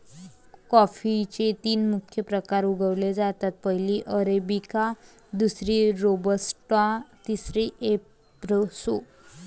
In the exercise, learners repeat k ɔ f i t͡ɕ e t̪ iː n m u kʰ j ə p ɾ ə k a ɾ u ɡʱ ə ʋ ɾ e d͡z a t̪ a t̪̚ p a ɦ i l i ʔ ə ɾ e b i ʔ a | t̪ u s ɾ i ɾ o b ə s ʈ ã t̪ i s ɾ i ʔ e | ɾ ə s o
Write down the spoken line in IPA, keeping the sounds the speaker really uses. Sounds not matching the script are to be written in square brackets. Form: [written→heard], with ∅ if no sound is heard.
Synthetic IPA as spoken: k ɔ f i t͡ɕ e t̪ iː n m u kʰ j ə p ɾ ə k a ɾ u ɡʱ ə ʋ [ɾ→l] e d͡z a t̪ a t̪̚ p [a→ə] ɦ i l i ʔ ə ɾ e b i [ʔ→k] a | [t̪→d̪] u s ɾ i ɾ o b ə s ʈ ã t̪ i s ɾ i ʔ e | ɾ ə s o